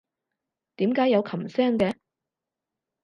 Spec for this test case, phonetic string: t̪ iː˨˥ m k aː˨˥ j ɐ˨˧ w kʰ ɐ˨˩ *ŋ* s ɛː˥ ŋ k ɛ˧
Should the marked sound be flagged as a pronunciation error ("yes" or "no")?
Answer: yes